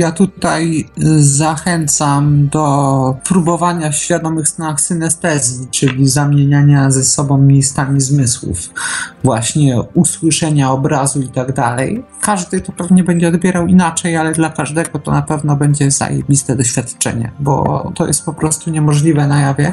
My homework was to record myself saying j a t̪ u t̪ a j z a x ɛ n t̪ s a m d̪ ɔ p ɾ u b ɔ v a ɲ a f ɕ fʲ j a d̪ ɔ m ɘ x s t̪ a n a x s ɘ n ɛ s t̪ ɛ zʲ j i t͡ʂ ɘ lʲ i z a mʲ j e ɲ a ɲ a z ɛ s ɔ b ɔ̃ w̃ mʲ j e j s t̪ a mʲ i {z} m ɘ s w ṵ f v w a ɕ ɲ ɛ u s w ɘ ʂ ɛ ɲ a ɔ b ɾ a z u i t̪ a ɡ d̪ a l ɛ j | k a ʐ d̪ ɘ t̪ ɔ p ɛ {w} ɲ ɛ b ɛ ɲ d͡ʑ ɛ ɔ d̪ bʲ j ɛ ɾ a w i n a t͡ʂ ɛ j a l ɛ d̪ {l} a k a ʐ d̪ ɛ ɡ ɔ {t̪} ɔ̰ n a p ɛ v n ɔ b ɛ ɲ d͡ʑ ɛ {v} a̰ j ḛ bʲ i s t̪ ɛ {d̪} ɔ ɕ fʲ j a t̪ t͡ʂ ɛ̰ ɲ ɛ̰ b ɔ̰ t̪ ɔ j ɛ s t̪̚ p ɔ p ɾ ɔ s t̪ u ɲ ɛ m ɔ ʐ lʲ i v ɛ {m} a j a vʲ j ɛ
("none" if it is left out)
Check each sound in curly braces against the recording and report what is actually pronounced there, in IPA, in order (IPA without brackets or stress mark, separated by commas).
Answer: z, v, l, t̪, z, d̪, n